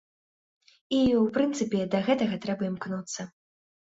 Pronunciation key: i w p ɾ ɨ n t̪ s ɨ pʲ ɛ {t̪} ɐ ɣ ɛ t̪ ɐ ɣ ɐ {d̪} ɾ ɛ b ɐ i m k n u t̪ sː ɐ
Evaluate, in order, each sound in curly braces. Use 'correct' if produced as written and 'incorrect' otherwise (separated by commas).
incorrect, incorrect